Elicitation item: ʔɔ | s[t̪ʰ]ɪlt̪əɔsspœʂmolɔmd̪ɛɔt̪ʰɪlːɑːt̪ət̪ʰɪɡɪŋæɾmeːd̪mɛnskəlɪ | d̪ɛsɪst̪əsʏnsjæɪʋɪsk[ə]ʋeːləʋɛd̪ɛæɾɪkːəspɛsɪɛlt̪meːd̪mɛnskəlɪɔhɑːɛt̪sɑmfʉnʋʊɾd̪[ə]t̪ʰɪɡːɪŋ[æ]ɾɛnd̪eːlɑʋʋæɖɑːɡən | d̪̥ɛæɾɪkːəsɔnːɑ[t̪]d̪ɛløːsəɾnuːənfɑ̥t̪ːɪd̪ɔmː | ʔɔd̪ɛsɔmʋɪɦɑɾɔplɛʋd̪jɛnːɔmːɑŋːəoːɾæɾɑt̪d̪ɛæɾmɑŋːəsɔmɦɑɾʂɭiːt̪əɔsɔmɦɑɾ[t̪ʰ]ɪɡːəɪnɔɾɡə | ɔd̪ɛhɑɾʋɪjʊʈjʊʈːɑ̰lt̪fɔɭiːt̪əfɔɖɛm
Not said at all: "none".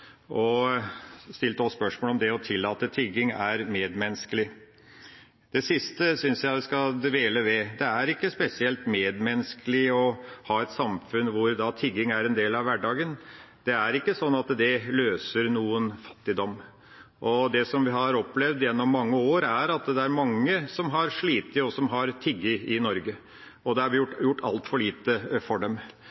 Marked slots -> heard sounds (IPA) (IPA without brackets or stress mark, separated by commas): t̪, ɑ, ɑ, æ, t̪, t̪ʰ